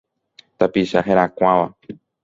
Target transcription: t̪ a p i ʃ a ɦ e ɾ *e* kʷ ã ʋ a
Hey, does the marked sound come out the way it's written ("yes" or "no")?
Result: no